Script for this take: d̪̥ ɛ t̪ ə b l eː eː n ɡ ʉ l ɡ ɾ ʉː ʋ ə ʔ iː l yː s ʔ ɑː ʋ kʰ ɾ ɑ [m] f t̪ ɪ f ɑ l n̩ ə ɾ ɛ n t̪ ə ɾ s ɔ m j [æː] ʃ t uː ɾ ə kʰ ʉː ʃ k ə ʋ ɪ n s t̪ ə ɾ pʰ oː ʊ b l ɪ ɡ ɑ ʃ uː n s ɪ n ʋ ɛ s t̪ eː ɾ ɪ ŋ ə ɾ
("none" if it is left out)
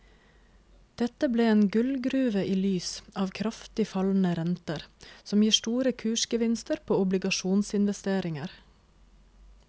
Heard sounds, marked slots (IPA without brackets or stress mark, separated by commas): none, iː